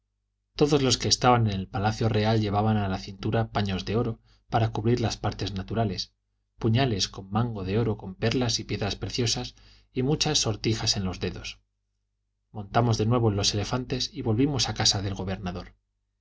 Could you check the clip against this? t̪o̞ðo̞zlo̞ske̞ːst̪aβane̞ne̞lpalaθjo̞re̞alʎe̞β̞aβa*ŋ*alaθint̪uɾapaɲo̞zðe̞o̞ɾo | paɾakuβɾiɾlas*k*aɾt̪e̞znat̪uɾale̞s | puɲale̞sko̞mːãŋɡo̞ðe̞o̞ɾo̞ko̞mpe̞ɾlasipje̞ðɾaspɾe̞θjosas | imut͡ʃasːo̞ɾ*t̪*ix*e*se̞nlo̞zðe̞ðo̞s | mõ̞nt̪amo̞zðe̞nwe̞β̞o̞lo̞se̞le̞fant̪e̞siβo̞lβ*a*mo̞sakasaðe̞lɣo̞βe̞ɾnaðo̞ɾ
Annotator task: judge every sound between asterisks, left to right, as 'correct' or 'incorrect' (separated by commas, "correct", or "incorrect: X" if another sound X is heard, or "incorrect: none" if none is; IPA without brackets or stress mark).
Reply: incorrect: n, incorrect: p, correct, incorrect: a, incorrect: i